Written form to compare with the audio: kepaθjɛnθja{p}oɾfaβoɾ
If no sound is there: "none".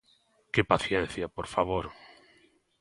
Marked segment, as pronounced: p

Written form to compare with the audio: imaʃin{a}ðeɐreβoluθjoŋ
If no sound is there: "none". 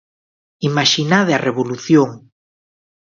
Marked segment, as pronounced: a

